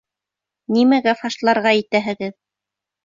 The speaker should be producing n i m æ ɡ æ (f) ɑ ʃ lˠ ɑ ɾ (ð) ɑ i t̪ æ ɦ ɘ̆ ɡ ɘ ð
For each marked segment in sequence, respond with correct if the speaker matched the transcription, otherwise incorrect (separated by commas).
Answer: correct, incorrect